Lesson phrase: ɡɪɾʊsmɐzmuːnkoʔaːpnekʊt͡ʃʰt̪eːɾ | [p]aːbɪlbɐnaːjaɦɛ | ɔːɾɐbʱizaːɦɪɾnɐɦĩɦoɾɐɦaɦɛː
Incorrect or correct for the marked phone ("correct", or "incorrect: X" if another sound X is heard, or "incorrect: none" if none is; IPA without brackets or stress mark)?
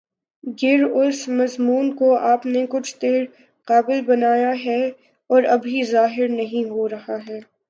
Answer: incorrect: q